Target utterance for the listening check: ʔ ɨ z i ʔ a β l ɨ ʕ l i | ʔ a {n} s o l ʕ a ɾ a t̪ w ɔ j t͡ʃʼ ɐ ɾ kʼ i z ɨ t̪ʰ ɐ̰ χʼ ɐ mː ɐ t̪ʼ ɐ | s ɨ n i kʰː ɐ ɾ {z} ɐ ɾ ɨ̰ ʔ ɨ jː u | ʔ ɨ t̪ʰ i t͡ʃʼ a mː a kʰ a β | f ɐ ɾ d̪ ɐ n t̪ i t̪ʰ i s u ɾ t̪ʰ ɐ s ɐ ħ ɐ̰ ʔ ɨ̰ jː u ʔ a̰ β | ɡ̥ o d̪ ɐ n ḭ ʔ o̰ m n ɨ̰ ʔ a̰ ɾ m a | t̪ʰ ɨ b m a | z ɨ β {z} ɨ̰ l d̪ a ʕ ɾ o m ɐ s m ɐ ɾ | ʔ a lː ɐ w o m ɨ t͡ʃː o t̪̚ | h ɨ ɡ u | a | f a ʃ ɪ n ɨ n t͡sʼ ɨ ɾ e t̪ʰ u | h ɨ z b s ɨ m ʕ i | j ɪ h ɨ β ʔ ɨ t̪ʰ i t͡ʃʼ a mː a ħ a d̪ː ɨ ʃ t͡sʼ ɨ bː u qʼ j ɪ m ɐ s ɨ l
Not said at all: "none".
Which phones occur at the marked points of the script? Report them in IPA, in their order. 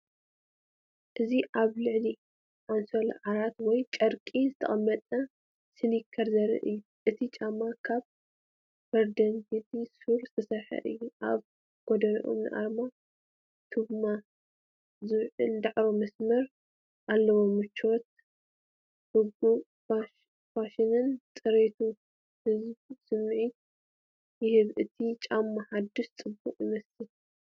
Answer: n, z, ʕ

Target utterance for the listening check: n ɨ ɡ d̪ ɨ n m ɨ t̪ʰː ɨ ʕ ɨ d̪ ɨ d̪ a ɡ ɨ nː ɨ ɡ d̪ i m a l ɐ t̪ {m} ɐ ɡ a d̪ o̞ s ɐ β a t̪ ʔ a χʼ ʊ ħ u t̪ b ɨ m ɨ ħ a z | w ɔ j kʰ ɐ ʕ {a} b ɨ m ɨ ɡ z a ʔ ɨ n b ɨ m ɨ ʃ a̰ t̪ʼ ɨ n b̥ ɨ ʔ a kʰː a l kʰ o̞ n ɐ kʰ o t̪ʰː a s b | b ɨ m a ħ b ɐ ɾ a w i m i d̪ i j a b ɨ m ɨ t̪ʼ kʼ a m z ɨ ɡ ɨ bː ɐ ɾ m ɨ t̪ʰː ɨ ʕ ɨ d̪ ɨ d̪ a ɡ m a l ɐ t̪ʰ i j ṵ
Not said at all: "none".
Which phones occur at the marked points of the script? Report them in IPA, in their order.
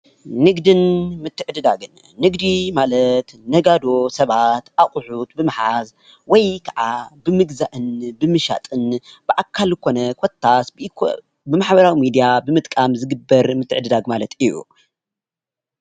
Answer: n, a

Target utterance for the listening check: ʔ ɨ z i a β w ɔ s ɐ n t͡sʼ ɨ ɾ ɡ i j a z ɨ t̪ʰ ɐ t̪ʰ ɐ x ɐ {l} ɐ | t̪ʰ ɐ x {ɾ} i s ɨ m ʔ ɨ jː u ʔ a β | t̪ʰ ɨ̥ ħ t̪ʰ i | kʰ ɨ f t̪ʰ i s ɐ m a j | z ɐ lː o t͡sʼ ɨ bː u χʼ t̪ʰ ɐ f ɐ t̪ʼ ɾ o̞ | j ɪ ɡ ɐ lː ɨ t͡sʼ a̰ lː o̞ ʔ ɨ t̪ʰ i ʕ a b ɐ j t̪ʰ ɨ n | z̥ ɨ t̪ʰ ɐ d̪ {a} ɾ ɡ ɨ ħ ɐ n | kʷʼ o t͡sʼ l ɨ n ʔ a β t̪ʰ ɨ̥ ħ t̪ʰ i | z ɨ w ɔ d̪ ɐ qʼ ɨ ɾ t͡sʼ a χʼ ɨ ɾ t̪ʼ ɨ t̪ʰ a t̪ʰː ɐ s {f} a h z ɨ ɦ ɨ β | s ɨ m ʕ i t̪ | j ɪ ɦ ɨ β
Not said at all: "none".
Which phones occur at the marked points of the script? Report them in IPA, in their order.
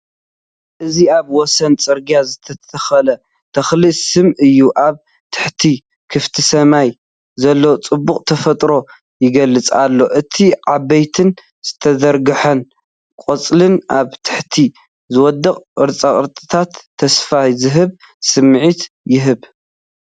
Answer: l, l, ɐ, f

